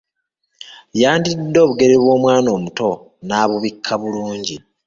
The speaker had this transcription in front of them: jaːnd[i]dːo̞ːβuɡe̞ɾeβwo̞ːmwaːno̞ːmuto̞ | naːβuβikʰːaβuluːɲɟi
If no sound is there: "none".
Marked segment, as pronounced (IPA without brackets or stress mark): i